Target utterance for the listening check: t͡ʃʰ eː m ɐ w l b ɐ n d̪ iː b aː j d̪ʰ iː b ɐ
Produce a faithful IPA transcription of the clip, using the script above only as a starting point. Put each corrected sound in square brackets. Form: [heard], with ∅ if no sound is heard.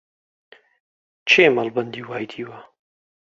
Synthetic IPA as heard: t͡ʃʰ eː m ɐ [∅] l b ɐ n d̪ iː [w] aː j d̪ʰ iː [w] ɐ